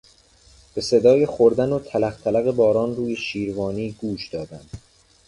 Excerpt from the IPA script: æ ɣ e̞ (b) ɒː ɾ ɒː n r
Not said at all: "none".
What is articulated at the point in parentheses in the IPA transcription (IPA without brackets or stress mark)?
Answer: b